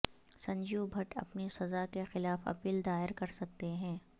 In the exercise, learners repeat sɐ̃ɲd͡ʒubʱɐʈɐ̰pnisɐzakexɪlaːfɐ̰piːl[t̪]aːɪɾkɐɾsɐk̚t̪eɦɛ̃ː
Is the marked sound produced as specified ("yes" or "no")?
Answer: no